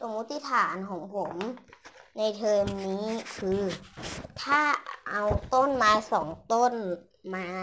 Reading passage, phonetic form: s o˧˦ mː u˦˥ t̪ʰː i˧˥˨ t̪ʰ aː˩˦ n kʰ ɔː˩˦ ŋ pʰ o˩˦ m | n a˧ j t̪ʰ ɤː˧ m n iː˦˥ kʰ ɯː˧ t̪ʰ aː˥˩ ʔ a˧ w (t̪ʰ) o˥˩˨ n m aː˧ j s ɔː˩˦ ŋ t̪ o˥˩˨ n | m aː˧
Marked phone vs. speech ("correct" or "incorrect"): incorrect